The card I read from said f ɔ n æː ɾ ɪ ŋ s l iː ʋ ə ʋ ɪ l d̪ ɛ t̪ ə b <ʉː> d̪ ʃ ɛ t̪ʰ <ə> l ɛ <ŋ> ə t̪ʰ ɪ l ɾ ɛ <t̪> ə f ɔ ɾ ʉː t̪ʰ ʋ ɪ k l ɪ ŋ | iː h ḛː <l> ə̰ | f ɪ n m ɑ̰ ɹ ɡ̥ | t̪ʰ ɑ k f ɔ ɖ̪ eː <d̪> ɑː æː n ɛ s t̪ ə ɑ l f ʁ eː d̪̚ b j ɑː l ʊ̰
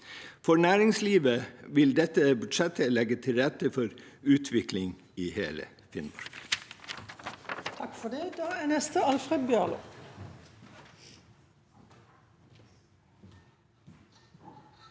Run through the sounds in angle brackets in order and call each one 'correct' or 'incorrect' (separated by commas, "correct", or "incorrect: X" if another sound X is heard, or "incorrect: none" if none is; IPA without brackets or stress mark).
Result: incorrect: ʉ, correct, incorrect: ɡ, correct, correct, correct